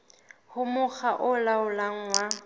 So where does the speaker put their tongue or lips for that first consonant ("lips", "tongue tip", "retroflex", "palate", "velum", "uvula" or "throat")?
throat